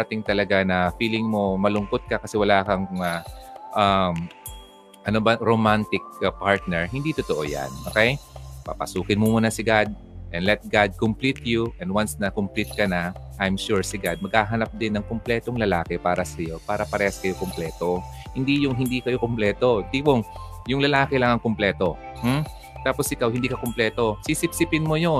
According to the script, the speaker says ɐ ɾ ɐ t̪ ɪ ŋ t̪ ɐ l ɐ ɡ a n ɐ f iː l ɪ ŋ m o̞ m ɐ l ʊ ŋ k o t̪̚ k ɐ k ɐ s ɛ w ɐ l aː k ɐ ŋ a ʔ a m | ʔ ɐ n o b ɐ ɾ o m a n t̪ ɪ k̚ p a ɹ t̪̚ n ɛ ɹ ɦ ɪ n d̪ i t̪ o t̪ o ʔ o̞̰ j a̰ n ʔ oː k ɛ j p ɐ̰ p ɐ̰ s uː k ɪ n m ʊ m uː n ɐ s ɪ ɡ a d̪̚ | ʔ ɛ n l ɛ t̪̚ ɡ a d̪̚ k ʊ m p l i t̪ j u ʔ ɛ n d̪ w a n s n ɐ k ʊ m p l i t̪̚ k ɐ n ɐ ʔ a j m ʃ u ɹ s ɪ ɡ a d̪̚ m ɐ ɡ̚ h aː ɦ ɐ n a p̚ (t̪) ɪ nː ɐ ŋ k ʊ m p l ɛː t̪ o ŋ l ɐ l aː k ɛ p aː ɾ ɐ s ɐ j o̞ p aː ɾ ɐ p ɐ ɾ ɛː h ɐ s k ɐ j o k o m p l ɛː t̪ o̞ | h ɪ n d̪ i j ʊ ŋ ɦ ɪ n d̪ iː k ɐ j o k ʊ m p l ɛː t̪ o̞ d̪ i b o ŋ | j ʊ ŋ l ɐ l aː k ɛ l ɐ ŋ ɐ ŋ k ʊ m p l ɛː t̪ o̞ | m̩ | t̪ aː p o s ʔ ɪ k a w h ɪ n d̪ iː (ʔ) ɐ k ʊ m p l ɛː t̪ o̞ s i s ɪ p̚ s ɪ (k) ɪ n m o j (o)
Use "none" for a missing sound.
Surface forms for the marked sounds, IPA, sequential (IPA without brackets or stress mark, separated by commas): d̪, k, p, o